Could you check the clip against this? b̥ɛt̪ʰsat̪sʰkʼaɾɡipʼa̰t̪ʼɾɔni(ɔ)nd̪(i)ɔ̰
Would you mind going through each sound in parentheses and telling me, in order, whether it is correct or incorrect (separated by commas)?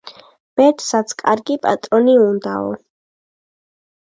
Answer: incorrect, incorrect